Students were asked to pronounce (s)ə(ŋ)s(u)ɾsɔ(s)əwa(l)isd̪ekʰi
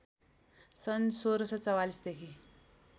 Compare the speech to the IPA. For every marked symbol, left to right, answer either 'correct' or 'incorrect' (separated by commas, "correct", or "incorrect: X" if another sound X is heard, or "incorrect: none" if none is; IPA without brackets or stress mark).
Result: correct, incorrect: n, incorrect: o, incorrect: t͡s, correct